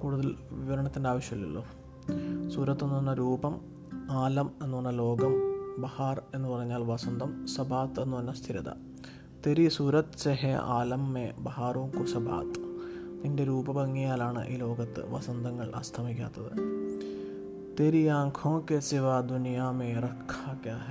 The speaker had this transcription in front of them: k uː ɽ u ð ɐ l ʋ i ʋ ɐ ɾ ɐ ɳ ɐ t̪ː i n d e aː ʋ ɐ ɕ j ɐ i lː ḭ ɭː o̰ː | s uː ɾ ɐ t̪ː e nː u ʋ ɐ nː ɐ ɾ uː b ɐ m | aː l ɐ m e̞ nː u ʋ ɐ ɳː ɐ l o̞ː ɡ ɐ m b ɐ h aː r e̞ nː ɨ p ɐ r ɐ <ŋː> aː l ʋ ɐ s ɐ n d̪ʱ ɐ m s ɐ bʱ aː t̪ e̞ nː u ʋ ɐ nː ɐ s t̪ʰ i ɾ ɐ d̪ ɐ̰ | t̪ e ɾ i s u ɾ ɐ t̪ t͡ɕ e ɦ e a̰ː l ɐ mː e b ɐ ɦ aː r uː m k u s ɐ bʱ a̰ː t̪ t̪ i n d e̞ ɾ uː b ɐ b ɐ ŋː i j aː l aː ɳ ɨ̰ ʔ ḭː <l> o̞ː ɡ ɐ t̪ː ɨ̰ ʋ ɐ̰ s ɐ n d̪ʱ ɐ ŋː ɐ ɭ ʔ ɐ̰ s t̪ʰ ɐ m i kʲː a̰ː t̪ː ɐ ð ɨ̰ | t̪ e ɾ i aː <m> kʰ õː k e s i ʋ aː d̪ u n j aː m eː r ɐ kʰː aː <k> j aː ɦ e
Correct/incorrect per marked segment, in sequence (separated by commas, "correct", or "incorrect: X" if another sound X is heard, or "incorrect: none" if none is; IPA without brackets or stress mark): incorrect: ɲː, correct, incorrect: ŋ, correct